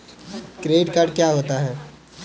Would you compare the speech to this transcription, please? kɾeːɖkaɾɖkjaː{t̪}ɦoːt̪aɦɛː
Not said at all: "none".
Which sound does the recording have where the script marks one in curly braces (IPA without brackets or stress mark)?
none